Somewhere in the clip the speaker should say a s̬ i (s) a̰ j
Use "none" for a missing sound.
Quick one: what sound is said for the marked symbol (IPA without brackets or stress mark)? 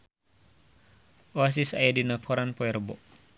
s